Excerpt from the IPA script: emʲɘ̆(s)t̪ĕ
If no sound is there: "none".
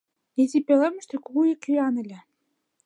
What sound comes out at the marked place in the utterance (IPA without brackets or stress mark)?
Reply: ʃ